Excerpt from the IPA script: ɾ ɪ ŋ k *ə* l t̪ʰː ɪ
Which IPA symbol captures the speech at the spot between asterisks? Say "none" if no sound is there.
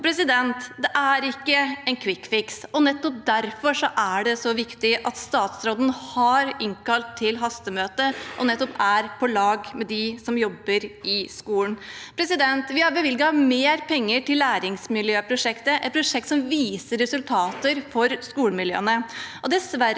ɑ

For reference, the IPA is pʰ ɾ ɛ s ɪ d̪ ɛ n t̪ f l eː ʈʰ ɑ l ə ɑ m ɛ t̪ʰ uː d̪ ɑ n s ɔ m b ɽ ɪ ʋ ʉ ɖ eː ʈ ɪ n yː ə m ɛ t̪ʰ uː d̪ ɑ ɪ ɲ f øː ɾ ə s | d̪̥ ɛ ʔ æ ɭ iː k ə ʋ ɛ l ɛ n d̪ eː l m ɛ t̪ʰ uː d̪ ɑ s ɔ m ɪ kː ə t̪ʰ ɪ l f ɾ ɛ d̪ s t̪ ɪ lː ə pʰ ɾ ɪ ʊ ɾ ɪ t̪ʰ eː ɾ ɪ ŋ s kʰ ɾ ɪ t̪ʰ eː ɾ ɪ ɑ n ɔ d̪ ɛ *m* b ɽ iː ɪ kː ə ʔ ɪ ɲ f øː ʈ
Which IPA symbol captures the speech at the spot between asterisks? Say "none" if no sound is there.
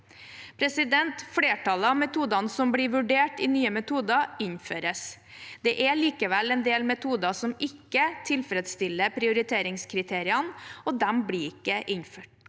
m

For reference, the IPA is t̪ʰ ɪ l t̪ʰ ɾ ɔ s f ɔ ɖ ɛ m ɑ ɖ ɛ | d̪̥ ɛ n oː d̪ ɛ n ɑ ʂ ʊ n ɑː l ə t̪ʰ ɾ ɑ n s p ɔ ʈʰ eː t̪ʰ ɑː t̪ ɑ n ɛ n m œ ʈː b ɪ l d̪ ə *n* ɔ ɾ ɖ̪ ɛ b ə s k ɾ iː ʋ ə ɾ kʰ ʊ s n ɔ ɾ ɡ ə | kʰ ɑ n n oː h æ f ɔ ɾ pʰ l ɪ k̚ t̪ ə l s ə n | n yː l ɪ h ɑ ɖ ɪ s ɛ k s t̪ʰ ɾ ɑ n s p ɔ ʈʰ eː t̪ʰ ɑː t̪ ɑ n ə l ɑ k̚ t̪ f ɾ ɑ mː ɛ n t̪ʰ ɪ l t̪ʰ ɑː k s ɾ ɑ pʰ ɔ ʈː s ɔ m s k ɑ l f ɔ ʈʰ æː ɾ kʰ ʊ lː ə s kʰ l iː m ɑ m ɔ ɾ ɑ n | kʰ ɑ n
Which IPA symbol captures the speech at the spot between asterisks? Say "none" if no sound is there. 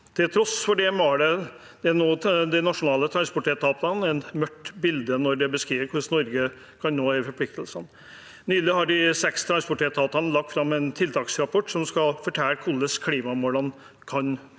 n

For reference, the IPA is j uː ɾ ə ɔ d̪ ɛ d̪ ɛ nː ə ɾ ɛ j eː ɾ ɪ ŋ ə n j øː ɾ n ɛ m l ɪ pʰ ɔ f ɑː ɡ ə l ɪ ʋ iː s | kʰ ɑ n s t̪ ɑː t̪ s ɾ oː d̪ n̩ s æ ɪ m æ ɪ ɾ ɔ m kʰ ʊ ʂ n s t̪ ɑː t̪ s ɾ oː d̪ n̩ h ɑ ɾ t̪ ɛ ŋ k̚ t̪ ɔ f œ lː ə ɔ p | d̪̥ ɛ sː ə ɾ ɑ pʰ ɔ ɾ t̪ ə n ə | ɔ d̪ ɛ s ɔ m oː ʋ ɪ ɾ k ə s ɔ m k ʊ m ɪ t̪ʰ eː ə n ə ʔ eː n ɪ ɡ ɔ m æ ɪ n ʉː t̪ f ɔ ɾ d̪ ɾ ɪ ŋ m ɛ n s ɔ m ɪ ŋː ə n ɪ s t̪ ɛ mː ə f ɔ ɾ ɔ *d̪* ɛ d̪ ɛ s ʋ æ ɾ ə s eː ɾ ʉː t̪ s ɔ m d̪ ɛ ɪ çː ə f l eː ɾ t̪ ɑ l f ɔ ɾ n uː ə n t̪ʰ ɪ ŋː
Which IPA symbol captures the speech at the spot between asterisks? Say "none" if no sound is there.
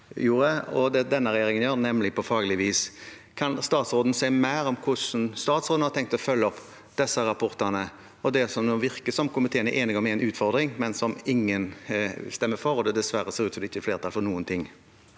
d̪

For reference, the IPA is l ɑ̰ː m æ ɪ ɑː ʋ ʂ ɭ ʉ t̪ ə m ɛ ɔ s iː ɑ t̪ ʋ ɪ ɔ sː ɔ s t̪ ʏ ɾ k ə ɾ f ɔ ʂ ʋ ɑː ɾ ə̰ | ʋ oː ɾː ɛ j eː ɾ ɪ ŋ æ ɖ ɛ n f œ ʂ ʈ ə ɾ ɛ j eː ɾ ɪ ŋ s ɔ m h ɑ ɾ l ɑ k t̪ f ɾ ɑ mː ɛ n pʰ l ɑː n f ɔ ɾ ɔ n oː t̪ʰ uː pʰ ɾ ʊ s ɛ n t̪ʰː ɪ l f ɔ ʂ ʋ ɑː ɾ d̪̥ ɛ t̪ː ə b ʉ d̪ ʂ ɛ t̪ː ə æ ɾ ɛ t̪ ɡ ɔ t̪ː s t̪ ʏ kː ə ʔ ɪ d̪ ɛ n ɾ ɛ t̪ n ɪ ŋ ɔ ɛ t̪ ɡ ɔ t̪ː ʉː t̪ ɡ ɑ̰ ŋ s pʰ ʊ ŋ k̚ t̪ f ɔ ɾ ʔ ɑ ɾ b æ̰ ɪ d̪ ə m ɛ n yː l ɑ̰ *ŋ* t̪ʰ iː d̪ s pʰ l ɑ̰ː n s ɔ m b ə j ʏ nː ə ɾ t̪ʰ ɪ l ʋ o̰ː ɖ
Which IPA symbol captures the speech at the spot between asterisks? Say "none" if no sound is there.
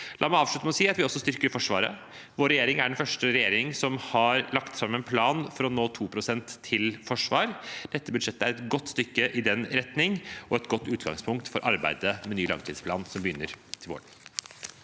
ŋ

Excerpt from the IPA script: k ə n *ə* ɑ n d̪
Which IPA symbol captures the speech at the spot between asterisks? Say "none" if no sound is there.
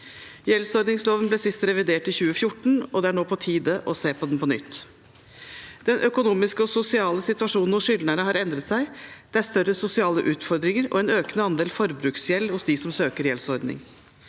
ə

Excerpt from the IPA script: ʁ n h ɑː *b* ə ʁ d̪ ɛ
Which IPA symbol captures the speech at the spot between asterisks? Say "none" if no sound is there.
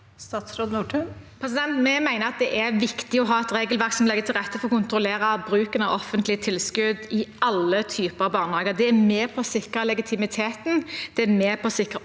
ɡ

